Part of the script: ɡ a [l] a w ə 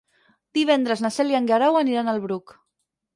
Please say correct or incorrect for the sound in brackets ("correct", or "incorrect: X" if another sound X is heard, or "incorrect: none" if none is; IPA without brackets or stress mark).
incorrect: ɾ